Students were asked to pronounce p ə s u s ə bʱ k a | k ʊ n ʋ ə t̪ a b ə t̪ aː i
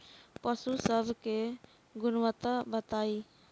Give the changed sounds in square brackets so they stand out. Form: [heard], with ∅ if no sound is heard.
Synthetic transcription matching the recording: p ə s u s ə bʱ k [e] | [ɡ] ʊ n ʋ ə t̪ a b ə t̪ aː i